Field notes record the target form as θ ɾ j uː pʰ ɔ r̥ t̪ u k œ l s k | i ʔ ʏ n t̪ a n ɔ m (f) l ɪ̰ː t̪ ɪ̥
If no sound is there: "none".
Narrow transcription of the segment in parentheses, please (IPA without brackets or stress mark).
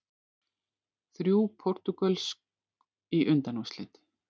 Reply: s